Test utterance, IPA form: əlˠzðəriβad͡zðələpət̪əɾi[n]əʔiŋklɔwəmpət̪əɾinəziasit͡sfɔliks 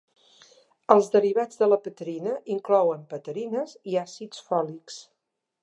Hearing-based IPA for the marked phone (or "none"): n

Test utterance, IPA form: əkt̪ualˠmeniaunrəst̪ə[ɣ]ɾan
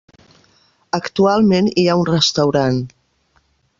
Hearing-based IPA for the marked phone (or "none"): w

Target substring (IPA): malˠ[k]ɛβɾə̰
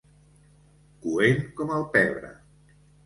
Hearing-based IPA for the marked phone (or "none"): p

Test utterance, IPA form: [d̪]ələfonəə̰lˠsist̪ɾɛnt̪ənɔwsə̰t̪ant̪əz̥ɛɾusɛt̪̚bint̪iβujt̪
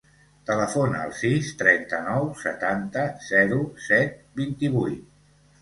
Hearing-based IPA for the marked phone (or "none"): t̪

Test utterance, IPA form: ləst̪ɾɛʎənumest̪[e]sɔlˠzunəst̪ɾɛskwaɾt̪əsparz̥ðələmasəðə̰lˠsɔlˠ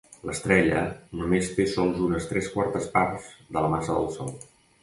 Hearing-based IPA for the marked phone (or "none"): e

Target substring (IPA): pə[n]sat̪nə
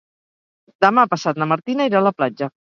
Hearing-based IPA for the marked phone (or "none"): none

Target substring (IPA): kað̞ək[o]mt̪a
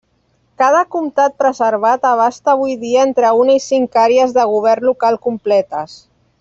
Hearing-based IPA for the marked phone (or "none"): u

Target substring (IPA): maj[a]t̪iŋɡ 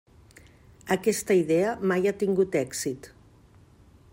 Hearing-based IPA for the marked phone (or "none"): a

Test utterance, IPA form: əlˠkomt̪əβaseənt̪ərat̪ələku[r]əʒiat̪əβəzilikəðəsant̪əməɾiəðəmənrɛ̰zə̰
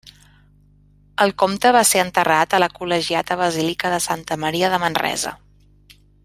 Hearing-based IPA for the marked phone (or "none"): l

